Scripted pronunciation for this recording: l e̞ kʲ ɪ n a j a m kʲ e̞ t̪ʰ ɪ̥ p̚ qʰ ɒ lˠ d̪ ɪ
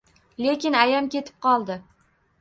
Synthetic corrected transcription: l e̞ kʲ ɪ n a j a m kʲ e̞ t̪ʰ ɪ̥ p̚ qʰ ɒ lˠ d̪ ɪ